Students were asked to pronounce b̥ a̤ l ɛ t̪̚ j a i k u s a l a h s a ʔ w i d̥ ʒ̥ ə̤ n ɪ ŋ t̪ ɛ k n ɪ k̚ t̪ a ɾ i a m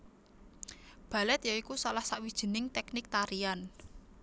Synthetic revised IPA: b̥ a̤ l ɛ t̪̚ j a i k u s a l a h s a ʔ w i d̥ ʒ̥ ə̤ n ɪ ŋ t̪ ɛ k n ɪ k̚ t̪ a ɾ i a n

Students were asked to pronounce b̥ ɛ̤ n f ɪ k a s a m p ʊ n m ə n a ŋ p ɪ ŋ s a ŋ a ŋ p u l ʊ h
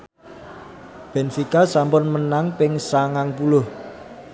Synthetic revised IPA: b̥ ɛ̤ n f i k a s a m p ʊ n m ə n a ŋ p ɪ ŋ s a ŋ a ŋ p u l ʊ h

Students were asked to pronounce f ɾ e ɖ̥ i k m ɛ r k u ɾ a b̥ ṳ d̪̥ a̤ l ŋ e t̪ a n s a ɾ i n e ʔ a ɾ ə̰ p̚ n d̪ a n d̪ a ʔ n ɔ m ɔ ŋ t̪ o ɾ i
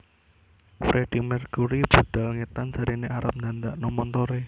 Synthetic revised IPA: f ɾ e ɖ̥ i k m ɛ r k u ɾ i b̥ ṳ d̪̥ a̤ l ŋ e t̪ a n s a ɾ i n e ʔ a ɾ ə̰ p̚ n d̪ a n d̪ a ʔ n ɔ m ɔ n t̪ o ɾ e

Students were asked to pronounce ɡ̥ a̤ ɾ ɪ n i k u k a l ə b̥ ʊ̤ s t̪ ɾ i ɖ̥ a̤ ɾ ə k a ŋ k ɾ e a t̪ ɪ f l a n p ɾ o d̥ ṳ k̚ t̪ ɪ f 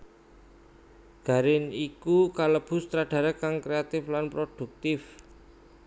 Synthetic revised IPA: ɡ̥ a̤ ɾ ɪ n i k u k a l ə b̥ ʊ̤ s t̪ ɾ a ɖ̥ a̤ ɾ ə k a ŋ k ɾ e a t̪ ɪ f l a n p ɾ o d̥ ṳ k̚ t̪ ɪ f

